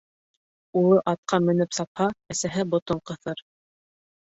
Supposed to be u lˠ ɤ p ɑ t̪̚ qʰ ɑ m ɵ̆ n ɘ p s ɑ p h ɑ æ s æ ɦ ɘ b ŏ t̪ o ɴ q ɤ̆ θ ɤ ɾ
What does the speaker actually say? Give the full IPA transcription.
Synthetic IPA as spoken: u lˠ ɤ ʔ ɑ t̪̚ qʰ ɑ m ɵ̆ n ɘ p s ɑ p h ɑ æ s æ ɦ ɘ b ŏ t̪ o ɴ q ɤ̆ θ ɤ ɾ